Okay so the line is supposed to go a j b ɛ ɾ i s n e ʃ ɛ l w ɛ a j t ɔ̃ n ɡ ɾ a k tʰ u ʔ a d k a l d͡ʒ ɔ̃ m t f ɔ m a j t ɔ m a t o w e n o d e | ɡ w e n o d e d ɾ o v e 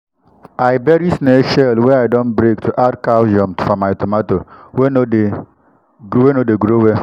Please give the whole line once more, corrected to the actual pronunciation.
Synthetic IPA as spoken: a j b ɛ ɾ i s n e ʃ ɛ l w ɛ a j d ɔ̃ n b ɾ e k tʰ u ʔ a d k a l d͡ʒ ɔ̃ m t f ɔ m a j t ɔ m a t o w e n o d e | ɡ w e n o d e ɡ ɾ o w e